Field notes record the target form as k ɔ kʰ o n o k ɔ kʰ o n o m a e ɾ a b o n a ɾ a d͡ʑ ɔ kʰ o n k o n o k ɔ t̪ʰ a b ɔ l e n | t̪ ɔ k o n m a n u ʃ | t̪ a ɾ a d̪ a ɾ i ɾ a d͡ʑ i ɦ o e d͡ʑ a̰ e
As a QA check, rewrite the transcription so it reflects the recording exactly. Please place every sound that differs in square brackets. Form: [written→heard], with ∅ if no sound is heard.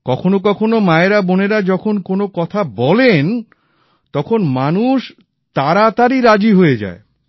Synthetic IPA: k ɔ kʰ o n o k ɔ kʰ o n o m a e ɾ a b o n [a→e] ɾ a d͡ʑ ɔ kʰ o n k o n o k ɔ t̪ʰ a b ɔ l e n | t̪ ɔ [k→kʰ] o n m a n u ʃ | t̪ a ɾ a [d̪→t̪] a ɾ i ɾ a d͡ʑ i ɦ o e d͡ʑ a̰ e

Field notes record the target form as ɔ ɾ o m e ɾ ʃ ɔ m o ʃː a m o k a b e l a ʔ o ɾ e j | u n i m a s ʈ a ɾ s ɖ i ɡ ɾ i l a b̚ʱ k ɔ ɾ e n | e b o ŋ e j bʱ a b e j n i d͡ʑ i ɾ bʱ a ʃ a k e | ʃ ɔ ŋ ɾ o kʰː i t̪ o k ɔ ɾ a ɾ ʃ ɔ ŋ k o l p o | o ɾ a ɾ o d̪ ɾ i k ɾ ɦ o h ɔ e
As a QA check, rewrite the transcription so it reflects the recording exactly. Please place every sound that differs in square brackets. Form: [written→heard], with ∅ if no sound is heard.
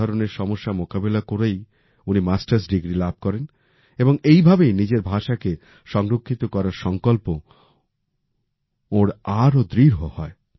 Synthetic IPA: ɔ ɾ o [m→n] e ɾ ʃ ɔ m o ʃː a m o k a b e l a [ʔ→k] o ɾ e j | u n i m a s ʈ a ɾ s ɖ i ɡ ɾ i l a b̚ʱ k ɔ ɾ e n | e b o ŋ e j bʱ a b e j n i d͡ʑ [i→e] ɾ bʱ a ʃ a k e | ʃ ɔ ŋ ɾ o kʰː i t̪ o k ɔ ɾ a ɾ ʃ ɔ ŋ k o l p o | o ɾ a ɾ o d̪ ɾ i [k→∅] ɾ ɦ o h ɔ e

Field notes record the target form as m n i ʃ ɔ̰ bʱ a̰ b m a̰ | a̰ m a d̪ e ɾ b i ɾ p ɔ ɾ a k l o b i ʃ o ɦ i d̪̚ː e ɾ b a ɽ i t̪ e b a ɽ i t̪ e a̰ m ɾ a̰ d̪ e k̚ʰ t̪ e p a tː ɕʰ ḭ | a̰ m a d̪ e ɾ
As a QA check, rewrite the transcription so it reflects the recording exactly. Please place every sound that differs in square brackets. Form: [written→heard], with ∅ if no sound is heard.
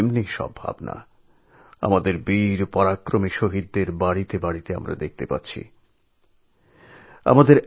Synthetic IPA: m n i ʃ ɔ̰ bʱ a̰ b [m→n] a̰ | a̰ m a d̪ e ɾ b i ɾ p ɔ ɾ a k [l→ɾ] o [b→m] i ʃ o ɦ i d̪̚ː e ɾ b a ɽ i t̪ e b a ɽ i t̪ e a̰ m ɾ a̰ d̪ e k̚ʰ t̪ e p a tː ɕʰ ḭ | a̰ m a d̪ e ɾ

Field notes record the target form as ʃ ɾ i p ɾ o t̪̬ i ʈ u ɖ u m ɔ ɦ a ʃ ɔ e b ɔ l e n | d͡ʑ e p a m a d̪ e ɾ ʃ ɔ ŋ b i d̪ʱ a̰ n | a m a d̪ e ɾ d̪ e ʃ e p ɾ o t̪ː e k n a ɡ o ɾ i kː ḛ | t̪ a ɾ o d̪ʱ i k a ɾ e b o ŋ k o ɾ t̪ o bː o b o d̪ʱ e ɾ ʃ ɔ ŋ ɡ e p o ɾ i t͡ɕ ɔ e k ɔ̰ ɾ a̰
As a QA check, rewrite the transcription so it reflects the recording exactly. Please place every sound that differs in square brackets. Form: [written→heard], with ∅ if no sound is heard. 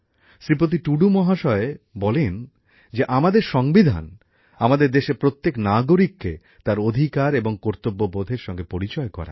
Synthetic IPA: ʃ ɾ i p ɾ o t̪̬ i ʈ u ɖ u m ɔ ɦ a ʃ ɔ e b ɔ l e n | d͡ʑ e [p→ʔ] a m a d̪ e ɾ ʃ ɔ ŋ b i d̪ʱ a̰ n | a m a d̪ e ɾ d̪ e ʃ e p ɾ o t̪ː e k n a ɡ o ɾ i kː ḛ | t̪ a ɾ o d̪ʱ i k a ɾ e b o ŋ k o ɾ t̪ o bː o b o d̪ʱ e ɾ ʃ ɔ ŋ ɡ e p o ɾ i t͡ɕ ɔ e k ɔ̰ ɾ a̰

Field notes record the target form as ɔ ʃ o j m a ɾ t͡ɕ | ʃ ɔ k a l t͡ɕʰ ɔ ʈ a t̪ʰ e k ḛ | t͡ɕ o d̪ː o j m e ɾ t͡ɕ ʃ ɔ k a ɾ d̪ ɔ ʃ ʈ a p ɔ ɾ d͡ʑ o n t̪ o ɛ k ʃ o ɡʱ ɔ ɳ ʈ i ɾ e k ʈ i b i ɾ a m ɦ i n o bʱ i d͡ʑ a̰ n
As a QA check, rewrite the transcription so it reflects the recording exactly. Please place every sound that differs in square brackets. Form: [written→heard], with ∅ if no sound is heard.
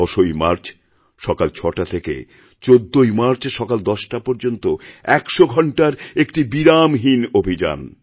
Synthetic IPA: ɔ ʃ o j m a ɾ t͡ɕ | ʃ ɔ k a l t͡ɕʰ ɔ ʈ a t̪ʰ e k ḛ | t͡ɕ o d̪ː o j m [e→a] ɾ t͡ɕ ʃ ɔ k a [ɾ→l] d̪ ɔ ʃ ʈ a p ɔ ɾ d͡ʑ o n t̪ o ɛ k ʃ o ɡʱ ɔ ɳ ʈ [i→a] ɾ e k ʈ i b i ɾ a m ɦ i n o bʱ i d͡ʑ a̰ n

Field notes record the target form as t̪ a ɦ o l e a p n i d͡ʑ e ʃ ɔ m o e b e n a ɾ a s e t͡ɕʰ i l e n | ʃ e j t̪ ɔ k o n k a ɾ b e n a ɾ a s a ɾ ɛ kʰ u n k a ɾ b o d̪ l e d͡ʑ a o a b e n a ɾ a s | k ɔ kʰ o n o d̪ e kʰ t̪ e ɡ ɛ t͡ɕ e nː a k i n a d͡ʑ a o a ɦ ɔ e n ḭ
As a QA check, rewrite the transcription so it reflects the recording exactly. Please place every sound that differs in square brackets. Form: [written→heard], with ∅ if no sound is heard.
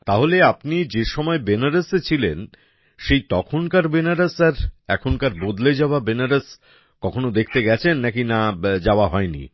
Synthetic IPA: t̪ a ɦ o l e a p n i d͡ʑ e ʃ ɔ m [o→ɔ] e b e n a ɾ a s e t͡ɕʰ i l e n | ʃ e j t̪ ɔ [k→kʰ] o n k a ɾ b e n a ɾ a s a ɾ ɛ kʰ [u→o] n k a ɾ b o d̪ l e d͡ʑ a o a b e n a ɾ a s | k ɔ kʰ o n o d̪ e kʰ t̪ e ɡ ɛ [t͡ɕ→t͡ɕʰ] e nː a k i n a d͡ʑ a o a ɦ ɔ e n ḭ

